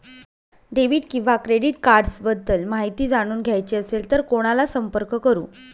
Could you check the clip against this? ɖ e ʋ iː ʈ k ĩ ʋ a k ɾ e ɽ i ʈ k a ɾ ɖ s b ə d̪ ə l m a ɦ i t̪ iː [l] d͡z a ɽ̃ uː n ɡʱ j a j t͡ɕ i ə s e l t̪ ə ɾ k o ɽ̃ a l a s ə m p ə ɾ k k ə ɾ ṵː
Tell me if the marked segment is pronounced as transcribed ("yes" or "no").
no